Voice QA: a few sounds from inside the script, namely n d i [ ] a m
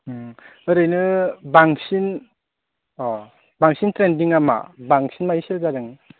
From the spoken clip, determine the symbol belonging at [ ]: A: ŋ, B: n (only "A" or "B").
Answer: A